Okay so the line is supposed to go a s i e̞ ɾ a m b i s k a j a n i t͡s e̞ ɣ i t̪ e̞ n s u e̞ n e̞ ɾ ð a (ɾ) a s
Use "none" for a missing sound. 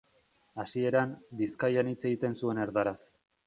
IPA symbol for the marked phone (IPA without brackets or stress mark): ɾ